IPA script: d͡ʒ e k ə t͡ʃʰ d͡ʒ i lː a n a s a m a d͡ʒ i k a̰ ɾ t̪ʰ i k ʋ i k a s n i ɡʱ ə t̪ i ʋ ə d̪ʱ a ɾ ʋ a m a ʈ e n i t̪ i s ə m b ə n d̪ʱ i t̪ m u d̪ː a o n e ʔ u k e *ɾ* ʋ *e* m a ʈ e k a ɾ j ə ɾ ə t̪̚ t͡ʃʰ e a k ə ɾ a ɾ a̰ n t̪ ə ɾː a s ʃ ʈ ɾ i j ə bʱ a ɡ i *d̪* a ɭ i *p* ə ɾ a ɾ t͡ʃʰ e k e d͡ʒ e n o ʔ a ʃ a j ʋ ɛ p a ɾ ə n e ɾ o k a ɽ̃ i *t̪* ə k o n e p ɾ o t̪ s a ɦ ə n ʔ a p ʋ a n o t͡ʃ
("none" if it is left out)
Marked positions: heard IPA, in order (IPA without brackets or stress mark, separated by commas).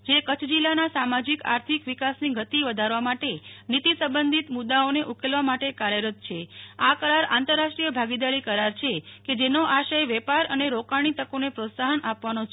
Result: l, a, d̪, k, t̪